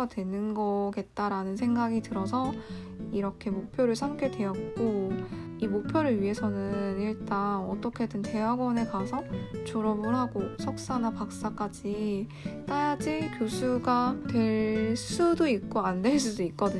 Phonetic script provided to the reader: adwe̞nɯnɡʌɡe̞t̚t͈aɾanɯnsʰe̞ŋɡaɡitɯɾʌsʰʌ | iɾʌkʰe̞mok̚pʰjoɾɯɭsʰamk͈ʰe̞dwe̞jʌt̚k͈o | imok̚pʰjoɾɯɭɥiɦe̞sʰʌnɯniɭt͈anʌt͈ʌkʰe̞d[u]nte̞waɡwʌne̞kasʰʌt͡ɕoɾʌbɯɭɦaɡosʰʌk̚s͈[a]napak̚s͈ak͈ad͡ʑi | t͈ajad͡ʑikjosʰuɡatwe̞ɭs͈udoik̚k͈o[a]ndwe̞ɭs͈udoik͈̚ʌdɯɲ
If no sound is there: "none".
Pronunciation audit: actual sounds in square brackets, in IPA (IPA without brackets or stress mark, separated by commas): ɯ, a, a